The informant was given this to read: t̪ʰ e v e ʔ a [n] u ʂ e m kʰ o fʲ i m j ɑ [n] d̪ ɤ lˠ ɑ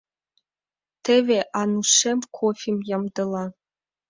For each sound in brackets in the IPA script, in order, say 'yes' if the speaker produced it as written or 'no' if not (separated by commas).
yes, no